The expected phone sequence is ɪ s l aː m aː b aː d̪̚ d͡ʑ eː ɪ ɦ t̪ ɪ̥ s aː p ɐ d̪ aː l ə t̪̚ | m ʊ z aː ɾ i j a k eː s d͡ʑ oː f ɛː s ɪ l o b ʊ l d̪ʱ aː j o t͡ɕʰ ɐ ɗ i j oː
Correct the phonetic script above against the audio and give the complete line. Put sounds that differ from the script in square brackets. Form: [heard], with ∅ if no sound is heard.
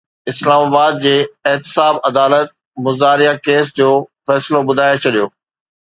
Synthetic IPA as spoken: ɪ s l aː m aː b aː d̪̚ d͡ʑ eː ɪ ɦ t̪ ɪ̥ s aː [b] ɐ d̪ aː l ə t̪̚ | m ʊ z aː ɾ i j a k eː s d͡ʑ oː f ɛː s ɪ l o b ʊ [∅] d̪ʱ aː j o t͡ɕʰ ɐ ɗ i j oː